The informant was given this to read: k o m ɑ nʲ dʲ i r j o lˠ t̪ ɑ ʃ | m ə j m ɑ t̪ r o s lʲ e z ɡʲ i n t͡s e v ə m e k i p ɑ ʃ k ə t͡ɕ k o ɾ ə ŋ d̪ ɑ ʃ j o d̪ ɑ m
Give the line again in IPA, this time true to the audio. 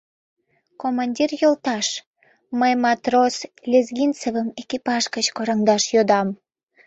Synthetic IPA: k o m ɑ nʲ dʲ i r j o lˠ t̪ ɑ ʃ | m ə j m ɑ t̪ r o s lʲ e z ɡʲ i n t͡s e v ə m e k i p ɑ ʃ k ə t͡ɕ k o ɾ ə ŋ d̪ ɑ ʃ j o d̪ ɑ m